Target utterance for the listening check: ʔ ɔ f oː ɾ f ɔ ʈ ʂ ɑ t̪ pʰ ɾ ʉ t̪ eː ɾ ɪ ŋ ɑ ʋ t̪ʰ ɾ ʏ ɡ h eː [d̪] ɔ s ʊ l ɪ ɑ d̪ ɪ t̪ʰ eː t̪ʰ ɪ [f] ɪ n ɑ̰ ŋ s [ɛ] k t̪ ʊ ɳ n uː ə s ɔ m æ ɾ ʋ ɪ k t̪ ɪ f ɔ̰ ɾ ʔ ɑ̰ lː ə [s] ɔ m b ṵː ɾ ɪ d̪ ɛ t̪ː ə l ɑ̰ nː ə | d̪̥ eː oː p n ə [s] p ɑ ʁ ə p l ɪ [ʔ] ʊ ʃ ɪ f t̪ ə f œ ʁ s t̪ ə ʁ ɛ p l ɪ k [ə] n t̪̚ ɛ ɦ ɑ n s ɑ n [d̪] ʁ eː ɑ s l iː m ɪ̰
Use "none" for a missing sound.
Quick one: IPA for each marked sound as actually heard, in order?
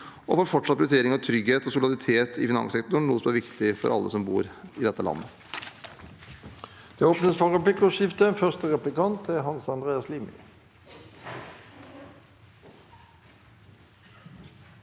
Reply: t̪, f, ɛ, s, s, k, ɑ, d̪

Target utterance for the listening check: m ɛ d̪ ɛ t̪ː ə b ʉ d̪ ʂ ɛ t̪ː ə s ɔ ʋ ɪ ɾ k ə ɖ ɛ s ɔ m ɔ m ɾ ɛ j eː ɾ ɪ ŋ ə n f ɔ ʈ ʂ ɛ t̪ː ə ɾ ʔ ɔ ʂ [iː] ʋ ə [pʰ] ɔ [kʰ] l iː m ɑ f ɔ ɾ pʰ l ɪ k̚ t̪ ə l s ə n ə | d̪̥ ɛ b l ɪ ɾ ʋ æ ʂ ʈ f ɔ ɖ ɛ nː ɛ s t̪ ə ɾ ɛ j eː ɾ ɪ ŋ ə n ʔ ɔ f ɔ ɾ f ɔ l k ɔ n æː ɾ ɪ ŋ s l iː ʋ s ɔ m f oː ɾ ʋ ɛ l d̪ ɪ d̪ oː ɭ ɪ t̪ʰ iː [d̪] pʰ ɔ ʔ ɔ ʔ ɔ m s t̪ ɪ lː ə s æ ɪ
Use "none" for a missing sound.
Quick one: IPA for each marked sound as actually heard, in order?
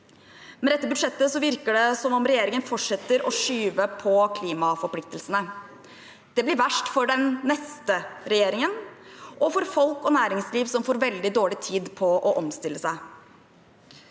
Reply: yː, pʰ, kʰ, d̪

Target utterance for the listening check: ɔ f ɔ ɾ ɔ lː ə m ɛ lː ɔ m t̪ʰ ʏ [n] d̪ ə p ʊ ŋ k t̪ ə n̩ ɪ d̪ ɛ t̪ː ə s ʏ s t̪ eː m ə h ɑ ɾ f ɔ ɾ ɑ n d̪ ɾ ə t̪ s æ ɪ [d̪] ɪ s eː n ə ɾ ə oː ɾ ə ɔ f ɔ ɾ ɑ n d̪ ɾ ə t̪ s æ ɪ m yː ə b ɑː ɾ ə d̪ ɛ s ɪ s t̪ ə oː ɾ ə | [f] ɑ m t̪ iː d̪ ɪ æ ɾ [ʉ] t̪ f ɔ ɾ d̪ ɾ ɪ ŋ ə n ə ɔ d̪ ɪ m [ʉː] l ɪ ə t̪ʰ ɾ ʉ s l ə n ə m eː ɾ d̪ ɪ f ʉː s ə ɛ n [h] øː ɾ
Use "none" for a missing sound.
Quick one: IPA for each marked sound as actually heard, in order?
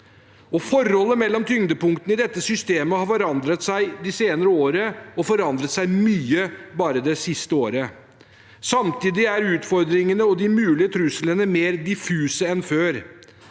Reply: ŋ, d̪, s, ʉː, ʉː, f

